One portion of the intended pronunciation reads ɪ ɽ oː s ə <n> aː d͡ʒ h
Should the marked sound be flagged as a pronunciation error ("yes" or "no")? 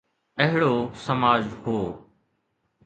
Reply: yes